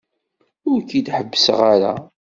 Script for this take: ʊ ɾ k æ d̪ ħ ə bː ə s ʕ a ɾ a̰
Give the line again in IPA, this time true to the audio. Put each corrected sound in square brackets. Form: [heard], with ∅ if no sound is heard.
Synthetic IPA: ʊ ɾ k [i] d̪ ħ ə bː ə s [ʁ] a ɾ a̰